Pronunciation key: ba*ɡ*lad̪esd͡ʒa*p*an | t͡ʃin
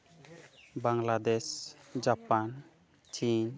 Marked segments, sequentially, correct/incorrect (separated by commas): incorrect, correct